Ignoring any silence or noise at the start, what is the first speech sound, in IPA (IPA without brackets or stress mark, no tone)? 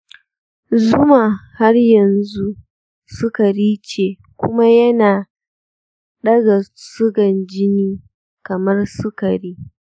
z